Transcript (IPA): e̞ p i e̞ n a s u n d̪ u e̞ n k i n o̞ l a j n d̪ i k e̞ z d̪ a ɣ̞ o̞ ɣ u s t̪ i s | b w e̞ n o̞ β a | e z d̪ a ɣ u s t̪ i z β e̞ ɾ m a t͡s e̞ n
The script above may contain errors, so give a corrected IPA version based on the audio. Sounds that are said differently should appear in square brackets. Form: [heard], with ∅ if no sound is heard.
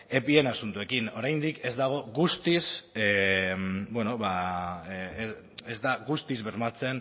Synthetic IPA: e̞ p i e̞ n a s u n [t̪] u e̞ [∅] k i n o̞ [ɾ] a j n d̪ i k e̞ z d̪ a ɣ̞ o̞ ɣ u s t̪ i s | b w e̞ n o̞ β a | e z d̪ a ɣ u s t̪ i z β e̞ ɾ m a t͡s e̞ n